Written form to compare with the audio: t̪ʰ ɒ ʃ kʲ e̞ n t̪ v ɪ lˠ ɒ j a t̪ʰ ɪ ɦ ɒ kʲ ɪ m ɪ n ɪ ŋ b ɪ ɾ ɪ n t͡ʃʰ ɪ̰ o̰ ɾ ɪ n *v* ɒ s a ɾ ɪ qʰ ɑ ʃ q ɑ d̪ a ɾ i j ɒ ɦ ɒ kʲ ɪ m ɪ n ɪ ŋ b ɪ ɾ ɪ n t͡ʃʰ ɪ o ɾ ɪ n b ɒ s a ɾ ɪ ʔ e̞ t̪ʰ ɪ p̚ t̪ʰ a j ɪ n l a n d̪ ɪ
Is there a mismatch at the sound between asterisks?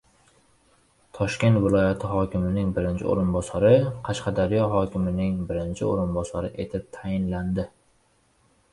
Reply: yes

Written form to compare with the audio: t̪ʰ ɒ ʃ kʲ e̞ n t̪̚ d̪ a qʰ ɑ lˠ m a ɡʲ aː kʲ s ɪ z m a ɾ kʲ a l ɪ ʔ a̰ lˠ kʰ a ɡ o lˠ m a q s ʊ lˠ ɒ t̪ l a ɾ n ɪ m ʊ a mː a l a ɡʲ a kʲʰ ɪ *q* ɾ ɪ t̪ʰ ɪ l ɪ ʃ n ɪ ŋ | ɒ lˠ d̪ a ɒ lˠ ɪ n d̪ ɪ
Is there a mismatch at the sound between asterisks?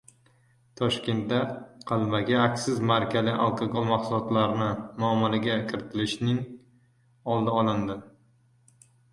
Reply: yes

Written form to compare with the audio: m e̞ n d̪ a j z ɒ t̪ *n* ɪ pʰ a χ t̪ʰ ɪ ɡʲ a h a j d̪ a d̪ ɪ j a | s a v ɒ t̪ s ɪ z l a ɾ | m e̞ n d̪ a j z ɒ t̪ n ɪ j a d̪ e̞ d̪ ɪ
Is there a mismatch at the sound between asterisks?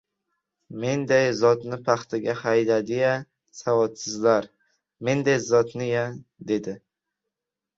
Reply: no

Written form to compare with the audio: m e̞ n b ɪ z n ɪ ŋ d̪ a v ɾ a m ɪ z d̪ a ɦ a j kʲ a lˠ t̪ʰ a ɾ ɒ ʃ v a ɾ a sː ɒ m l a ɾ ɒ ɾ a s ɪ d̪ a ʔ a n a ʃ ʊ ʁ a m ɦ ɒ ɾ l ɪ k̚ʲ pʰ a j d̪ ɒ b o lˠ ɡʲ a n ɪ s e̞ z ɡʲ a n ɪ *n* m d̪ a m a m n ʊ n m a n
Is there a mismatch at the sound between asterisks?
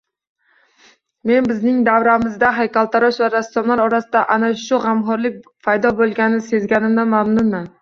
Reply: yes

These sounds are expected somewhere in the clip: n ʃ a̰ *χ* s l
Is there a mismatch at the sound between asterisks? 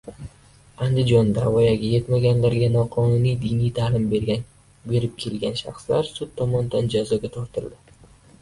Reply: no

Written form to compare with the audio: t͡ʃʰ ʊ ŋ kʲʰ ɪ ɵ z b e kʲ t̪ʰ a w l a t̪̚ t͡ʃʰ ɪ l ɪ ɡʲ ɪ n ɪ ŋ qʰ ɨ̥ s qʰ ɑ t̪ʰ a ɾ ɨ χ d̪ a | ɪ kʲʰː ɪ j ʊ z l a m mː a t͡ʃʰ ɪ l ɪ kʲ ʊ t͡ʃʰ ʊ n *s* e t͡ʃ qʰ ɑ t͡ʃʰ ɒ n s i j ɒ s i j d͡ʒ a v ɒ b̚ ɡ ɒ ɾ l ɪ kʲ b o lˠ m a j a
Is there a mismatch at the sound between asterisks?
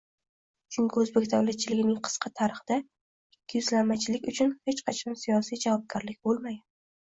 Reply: yes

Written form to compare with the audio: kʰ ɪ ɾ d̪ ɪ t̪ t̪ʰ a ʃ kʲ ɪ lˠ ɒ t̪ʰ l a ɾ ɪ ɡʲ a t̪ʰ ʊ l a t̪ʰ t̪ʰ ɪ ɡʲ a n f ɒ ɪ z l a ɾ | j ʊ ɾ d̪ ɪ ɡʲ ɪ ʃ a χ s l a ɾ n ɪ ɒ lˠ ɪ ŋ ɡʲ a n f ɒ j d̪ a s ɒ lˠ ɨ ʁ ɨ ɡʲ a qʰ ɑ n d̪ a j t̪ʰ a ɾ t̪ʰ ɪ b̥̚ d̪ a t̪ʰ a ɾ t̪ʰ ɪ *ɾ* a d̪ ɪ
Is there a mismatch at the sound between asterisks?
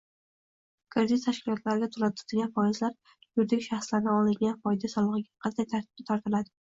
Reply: yes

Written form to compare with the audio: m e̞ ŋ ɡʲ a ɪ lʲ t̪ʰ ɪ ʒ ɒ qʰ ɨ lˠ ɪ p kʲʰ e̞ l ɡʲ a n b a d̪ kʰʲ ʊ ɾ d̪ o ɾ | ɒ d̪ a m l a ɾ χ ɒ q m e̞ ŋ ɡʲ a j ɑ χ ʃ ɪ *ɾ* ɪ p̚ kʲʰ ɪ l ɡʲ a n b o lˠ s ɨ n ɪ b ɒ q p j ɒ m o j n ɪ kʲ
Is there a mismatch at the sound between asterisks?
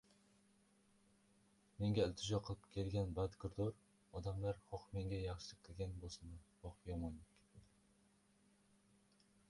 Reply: yes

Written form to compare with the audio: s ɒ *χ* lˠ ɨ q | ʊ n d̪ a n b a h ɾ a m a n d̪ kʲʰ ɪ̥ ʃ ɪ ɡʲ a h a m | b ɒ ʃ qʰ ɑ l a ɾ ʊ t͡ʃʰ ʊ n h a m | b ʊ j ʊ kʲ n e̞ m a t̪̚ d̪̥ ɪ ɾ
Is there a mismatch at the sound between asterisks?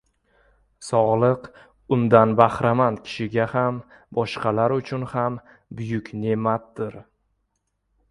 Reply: yes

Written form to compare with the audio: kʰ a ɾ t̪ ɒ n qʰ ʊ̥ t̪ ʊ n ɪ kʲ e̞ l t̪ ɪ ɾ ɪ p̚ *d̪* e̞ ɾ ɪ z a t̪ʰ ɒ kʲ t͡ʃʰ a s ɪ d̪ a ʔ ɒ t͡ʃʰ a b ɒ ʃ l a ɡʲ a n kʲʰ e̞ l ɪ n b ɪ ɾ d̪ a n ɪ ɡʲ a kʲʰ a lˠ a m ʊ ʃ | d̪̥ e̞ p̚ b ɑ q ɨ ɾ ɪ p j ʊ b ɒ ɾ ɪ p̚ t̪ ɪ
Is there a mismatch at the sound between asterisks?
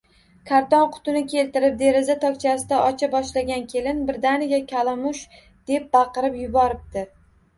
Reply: no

